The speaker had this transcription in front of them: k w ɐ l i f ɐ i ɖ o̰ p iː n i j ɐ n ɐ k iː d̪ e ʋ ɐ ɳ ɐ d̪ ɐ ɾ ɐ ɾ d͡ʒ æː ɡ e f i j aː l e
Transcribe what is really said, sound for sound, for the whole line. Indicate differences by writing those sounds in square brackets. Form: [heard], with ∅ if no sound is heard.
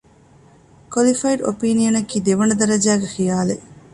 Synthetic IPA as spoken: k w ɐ l i f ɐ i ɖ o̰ p iː n i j ɐ n ɐ k iː d̪ e ʋ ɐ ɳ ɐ d̪ ɐ ɾ ɐ [∅] d͡ʒ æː ɡ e [x] i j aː l e

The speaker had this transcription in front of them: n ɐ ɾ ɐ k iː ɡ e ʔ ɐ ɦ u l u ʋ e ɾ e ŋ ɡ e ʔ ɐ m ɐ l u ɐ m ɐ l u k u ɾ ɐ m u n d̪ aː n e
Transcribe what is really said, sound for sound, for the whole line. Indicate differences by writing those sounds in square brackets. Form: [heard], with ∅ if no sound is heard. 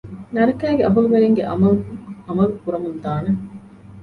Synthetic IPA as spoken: n ɐ ɾ ɐ k [æː] ɡ e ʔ ɐ ɦ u l u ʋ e ɾ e ŋ ɡ e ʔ ɐ m ɐ l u ɐ m ɐ l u k u ɾ ɐ m u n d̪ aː n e

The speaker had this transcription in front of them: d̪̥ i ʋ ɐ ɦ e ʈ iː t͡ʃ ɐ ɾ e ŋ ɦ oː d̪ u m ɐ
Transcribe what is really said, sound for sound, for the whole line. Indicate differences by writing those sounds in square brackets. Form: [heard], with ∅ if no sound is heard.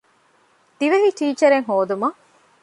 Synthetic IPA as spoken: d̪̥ i ʋ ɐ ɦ [i] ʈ iː t͡ʃ ɐ ɾ e ŋ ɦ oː d̪ u m ɐ

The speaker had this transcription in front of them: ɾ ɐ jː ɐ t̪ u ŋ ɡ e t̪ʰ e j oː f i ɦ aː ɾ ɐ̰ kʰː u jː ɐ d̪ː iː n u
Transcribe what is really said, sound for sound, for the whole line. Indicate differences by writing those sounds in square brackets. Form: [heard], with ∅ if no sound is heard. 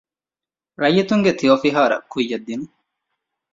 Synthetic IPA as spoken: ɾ ɐ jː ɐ t̪ u ŋ ɡ e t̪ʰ [i] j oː f i ɦ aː ɾ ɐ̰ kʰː u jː ɐ d̪ː [i] n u

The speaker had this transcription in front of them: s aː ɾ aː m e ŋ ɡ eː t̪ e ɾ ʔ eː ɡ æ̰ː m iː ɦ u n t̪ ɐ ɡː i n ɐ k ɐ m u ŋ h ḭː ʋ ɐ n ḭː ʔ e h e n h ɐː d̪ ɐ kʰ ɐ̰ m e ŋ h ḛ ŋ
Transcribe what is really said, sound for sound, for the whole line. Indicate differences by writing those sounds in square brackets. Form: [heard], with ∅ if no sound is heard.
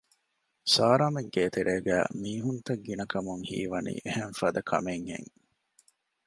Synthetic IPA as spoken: s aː ɾ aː m e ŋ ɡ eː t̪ e ɾ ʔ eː ɡ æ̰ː m iː ɦ u n t̪ ɐ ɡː i n ɐ k ɐ m u ŋ h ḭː ʋ ɐ n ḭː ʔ e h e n [f] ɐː d̪ ɐ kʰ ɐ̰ m e ŋ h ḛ ŋ

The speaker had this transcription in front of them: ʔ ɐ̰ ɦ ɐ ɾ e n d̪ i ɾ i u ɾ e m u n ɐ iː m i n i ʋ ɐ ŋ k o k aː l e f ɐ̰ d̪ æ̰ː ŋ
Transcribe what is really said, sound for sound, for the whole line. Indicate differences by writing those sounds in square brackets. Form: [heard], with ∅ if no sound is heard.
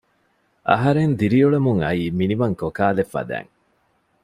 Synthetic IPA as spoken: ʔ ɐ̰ ɦ ɐ ɾ e n d̪ i ɾ i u [ɭ] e m u [ŋ] ɐ iː m i n i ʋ ɐ ŋ k o k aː l e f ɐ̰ d̪ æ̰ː ŋ

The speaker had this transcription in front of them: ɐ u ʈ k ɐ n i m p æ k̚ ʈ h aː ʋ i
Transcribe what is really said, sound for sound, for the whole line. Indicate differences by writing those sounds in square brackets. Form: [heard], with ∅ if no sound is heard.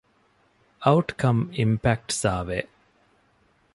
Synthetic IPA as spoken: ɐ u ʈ k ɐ [m] i m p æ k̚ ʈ [s] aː ʋ [e]

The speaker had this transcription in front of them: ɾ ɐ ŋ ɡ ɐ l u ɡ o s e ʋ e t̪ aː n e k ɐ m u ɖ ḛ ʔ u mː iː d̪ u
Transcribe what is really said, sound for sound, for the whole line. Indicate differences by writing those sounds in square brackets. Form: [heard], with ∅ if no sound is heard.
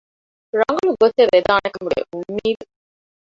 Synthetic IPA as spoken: ɾ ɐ ŋ ɡ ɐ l u ɡ o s e ʋ e [d̪] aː n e k ɐ m u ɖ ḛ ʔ u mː iː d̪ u

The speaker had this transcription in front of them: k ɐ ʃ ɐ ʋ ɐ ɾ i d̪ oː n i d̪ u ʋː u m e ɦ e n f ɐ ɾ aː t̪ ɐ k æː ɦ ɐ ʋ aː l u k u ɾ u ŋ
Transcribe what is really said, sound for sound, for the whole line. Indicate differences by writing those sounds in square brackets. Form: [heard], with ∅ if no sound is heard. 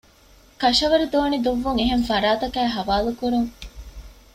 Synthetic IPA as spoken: k ɐ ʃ ɐ ʋ ɐ ɾ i d̪ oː n i d̪ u ʋː u [ŋ] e ɦ e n f ɐ ɾ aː t̪ ɐ k æː ɦ ɐ ʋ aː l u k u ɾ u ŋ

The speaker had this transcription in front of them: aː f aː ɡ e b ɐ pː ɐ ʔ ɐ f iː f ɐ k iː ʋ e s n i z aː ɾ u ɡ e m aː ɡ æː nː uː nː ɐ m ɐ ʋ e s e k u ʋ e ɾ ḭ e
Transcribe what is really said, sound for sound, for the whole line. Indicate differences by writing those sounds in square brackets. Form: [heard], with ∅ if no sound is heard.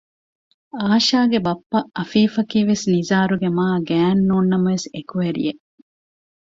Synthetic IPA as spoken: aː [ʃ] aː ɡ e b ɐ pː ɐ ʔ ɐ f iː f ɐ k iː ʋ e s n i z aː ɾ u ɡ e m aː ɡ æː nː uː nː ɐ m ɐ ʋ e s e k u ʋ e ɾ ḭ e

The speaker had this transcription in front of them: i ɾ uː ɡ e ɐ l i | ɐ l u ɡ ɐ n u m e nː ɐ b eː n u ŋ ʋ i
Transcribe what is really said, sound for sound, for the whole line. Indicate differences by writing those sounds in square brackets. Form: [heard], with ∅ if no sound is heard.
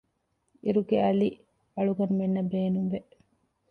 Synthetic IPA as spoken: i ɾ [u] ɡ e ɐ l i | ɐ [ɭ] u ɡ ɐ n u m e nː ɐ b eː n u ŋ ʋ [e]

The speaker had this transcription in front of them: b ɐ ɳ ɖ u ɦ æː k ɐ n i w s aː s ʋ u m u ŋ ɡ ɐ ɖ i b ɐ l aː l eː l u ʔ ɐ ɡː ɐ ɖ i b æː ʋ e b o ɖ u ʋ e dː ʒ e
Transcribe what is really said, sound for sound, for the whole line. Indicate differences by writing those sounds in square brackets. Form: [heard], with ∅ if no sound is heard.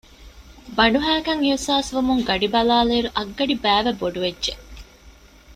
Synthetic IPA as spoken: b ɐ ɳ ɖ u ɦ æː k ɐ [ŋ] i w s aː s ʋ u m u ŋ ɡ ɐ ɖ i b ɐ l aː l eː [ɾ] u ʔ ɐ ɡː ɐ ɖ i b æː ʋ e b o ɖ u ʋ e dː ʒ e

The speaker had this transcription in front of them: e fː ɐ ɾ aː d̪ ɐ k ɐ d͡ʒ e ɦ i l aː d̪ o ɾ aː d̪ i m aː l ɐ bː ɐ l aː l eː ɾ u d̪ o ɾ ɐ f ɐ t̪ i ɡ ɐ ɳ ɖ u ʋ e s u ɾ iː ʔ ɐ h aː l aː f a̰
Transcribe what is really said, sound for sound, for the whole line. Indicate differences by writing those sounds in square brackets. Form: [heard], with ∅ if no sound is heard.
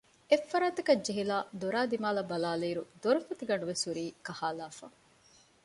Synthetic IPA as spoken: e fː ɐ ɾ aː [t̪] ɐ k ɐ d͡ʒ e ɦ i l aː d̪ o ɾ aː d̪ i m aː l ɐ [b] ɐ l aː l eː ɾ u d̪ o ɾ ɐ f ɐ t̪ i ɡ ɐ ɳ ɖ u ʋ e s u ɾ iː [k] ɐ h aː l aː f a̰

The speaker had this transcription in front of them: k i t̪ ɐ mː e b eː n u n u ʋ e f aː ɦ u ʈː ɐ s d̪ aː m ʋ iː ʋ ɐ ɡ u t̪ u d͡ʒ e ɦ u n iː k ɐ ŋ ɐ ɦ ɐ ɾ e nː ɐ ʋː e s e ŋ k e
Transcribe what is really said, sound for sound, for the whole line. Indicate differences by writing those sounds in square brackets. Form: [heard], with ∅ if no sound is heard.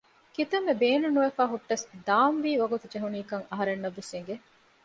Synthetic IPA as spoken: k i t̪ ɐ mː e b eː n u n u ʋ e f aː ɦ u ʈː ɐ s d̪ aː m ʋ iː ʋ ɐ ɡ u t̪ u d͡ʒ e ɦ u n iː k ɐ ŋ ɐ ɦ ɐ ɾ e nː ɐ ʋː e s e ŋ [ɡ] e

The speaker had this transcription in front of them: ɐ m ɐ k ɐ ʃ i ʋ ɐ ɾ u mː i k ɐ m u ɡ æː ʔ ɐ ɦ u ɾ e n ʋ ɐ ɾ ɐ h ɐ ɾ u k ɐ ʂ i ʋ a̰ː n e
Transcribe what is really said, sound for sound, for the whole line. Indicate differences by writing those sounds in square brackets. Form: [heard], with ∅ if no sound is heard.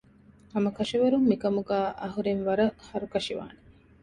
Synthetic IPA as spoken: ɐ m ɐ k ɐ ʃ i ʋ ɐ ɾ u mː i k ɐ m u ɡ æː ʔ ɐ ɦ u ɾ e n ʋ ɐ ɾ ɐ h ɐ ɾ u k ɐ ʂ i ʋ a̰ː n e

